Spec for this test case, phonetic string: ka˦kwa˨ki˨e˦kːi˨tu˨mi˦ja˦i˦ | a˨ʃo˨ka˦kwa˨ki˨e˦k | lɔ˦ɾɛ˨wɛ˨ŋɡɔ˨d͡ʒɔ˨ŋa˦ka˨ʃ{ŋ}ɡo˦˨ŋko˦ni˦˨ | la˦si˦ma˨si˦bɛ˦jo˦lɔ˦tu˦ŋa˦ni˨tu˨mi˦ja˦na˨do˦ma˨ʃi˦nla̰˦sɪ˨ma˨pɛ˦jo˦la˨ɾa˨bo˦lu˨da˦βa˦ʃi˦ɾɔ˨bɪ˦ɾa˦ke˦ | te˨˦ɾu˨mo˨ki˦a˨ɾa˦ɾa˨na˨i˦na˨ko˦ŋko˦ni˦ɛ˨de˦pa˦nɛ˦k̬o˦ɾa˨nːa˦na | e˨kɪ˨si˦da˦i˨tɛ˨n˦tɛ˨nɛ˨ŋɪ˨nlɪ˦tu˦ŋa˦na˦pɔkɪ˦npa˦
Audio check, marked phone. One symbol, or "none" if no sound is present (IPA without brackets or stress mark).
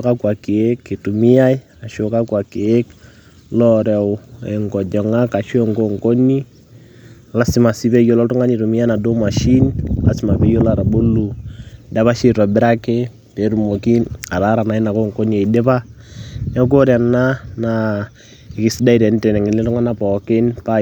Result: ŋ